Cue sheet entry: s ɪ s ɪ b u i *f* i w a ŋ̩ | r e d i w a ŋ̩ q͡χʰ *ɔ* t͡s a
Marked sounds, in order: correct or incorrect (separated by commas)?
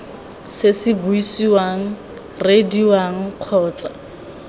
incorrect, incorrect